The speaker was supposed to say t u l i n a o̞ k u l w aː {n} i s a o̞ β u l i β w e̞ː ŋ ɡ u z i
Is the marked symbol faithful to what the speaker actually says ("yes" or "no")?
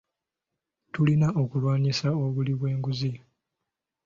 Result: no